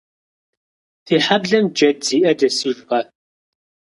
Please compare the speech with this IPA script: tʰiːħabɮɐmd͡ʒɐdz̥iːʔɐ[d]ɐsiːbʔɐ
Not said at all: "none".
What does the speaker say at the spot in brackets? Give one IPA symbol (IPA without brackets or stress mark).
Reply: d